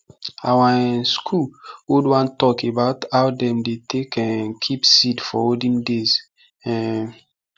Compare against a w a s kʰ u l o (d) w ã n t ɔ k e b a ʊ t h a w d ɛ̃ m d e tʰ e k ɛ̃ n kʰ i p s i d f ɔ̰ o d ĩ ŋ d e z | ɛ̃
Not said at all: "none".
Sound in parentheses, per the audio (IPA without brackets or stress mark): d